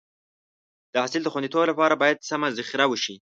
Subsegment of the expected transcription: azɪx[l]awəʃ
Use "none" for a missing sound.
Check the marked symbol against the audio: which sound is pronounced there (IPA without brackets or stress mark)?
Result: ɾ